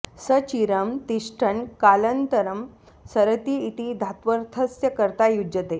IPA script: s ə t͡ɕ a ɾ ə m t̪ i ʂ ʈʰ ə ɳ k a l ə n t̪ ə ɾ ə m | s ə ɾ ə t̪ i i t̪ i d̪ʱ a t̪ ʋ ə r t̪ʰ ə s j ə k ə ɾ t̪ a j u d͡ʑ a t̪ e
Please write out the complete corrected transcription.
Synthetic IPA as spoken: s ə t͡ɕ i ɾ ə m t̪ i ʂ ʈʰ ə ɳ k a l ə n t̪ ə ɾ ə m | s ə ɾ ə t̪ i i t̪ i d̪ʱ a t̪ ʋ ə ɾ t̪ʰ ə s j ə k ə ɾ t̪ a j u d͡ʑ ə t̪ e